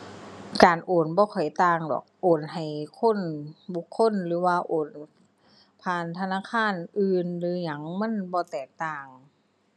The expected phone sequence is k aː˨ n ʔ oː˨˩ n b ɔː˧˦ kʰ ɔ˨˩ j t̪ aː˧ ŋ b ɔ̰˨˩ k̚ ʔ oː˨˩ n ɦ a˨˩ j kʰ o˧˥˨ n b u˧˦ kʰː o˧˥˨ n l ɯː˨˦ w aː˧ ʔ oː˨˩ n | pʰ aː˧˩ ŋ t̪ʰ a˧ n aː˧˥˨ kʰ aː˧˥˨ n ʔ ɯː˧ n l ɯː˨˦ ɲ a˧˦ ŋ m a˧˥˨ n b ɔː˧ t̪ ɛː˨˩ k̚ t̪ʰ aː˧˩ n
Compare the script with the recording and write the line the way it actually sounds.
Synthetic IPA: k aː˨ n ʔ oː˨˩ n b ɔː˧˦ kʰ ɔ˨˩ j t̪ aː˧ ŋ d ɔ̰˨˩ k̚ ʔ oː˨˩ n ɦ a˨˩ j kʰ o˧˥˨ n b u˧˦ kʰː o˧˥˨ n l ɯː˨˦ w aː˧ ʔ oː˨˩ n | pʰ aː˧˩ n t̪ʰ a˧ n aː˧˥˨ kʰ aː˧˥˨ n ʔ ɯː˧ n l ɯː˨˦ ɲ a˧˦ ŋ m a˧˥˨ n b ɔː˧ t̪ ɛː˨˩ k̚ t̪ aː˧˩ ŋ

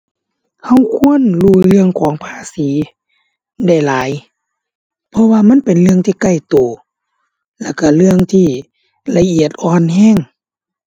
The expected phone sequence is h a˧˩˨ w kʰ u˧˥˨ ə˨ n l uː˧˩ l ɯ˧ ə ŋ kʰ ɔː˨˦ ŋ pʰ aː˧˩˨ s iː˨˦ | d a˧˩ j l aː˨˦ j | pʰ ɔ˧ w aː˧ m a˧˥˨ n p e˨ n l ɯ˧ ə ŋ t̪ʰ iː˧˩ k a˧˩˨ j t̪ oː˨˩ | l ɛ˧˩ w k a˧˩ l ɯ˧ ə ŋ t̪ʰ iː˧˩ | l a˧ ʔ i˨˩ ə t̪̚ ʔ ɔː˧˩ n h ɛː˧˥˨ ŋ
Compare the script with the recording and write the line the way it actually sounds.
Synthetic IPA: h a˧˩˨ w kʰ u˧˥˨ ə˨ n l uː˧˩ l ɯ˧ ə ŋ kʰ ɔː˨˦ ŋ pʰ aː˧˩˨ s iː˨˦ | d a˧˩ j l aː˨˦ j | pʰ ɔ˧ w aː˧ m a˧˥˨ n p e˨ n l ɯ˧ ə ŋ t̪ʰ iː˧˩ k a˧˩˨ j t̪ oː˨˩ | l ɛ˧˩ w k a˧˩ l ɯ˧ ə ŋ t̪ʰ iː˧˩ | l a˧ ʔ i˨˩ ə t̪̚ ʔ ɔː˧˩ n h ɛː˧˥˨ ŋ

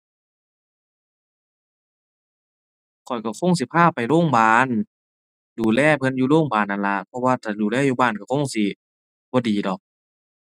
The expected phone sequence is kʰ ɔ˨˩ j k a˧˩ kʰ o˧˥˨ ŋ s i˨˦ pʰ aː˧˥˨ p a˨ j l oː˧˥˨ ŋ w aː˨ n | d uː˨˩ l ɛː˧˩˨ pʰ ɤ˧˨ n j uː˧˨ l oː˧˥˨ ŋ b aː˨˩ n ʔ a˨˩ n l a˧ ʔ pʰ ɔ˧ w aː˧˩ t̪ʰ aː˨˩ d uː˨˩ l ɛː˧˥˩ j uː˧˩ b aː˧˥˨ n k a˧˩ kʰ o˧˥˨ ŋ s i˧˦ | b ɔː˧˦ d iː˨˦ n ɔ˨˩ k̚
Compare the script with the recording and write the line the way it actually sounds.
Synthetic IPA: kʰ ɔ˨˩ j k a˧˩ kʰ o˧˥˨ ŋ s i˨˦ pʰ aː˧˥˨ p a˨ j l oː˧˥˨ ŋ b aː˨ n | d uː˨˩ l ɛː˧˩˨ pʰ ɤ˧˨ n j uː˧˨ l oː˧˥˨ ŋ b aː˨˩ n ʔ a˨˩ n l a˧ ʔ pʰ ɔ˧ w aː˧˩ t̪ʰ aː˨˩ d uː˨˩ l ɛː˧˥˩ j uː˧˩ b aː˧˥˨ n k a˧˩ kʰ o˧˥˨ ŋ s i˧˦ | b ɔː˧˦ d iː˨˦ d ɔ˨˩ k̚

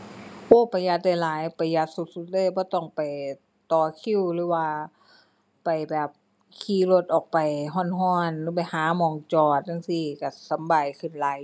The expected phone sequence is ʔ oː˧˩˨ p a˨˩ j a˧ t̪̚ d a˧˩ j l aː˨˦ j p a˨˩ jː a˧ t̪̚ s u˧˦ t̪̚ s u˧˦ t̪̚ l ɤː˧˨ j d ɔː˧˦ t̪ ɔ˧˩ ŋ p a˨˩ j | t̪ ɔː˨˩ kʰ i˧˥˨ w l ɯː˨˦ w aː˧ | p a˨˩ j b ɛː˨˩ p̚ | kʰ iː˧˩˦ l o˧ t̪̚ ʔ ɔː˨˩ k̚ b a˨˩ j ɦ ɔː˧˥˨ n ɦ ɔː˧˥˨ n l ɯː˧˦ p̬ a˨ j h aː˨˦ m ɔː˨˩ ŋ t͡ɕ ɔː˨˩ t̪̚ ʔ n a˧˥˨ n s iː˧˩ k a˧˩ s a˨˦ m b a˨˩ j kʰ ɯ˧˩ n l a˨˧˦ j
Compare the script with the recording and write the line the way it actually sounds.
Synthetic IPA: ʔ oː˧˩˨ p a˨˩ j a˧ t̪̚ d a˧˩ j l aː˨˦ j p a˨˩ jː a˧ t̪̚ s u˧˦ t̪̚ s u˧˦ t̪̚ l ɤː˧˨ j b ɔː˧˦ t̪ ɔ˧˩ ŋ p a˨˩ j | t̪ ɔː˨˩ kʰ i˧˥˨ w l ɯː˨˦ w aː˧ | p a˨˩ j b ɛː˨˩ p̚ | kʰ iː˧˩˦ l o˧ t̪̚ ʔ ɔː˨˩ k̚ p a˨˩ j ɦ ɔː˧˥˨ n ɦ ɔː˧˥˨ n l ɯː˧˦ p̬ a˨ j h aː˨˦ m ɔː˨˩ ŋ t͡ɕ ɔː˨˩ t̪̚ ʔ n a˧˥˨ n s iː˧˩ k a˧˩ s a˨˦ m b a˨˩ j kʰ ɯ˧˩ n l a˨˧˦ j

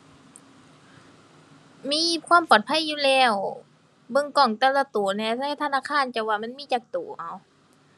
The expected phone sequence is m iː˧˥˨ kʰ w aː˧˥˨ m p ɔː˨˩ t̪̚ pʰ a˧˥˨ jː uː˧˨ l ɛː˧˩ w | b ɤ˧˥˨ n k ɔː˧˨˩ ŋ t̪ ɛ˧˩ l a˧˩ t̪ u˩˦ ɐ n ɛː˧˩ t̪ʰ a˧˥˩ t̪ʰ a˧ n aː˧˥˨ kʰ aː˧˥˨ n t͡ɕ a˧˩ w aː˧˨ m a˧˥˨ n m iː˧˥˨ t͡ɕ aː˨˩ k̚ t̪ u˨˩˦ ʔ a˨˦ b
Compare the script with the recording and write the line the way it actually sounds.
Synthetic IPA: m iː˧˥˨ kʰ w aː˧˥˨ m p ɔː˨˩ t̪̚ pʰ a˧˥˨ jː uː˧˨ l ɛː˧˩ w | b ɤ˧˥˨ ŋ k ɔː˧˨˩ ŋ t̪ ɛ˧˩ l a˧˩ t̪ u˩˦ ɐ n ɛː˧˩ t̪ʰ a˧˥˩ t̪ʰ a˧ n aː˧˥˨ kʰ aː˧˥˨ n t͡ɕ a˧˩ w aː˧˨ m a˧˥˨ n m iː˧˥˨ t͡ɕ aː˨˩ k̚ t̪ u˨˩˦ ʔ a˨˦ w

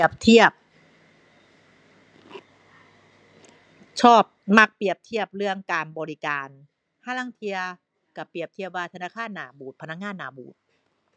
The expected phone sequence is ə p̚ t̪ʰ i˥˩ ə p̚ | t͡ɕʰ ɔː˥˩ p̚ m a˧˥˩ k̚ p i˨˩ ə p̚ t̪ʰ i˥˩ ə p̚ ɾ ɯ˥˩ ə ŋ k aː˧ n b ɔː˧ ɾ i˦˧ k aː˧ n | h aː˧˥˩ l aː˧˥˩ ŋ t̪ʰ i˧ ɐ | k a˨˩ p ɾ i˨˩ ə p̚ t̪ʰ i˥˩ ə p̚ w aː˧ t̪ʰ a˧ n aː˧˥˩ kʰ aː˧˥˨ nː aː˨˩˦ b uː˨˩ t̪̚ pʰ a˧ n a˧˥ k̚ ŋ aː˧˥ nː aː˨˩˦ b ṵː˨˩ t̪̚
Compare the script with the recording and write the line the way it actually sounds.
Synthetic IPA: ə p̚ t̪ʰ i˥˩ ə p̚ | t͡ɕʰ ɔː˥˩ p̚ m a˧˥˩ k̚ p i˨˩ ə p̚ t̪ʰ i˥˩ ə p̚ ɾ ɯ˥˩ ə ŋ k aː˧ n b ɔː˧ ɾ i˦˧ k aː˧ n | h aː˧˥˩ l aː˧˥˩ ŋ t̪ʰ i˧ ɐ | k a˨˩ p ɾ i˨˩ ə p̚ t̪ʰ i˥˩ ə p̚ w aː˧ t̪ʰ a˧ n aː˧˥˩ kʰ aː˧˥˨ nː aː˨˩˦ b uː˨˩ t̪̚ pʰ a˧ n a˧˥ k̚ ŋ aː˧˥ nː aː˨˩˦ b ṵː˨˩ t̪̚

